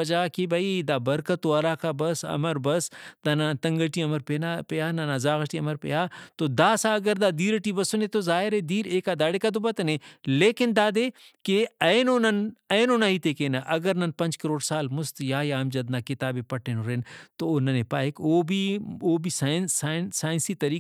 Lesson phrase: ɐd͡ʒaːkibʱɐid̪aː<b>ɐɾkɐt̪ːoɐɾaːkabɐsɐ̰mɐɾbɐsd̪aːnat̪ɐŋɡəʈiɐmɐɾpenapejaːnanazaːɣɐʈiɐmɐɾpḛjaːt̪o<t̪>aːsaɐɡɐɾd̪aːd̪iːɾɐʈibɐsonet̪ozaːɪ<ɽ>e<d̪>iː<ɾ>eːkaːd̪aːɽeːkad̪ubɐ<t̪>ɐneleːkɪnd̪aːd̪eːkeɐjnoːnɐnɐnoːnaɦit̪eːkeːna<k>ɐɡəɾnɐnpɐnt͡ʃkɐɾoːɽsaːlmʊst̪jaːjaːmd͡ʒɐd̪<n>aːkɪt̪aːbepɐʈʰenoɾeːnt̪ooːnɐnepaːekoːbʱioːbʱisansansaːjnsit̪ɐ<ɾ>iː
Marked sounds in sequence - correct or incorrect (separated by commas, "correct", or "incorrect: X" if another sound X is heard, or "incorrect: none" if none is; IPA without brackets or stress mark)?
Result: correct, incorrect: d̪, incorrect: ɾ, correct, correct, correct, incorrect: ʔ, correct, correct